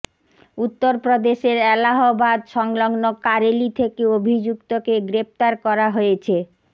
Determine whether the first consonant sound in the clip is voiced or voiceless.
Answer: voiceless